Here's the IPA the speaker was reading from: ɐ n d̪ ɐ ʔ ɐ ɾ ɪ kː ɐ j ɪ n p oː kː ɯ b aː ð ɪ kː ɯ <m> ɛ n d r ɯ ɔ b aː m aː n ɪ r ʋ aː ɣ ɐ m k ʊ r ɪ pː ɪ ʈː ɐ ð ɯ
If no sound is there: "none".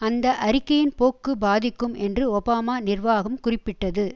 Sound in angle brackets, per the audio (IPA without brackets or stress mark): m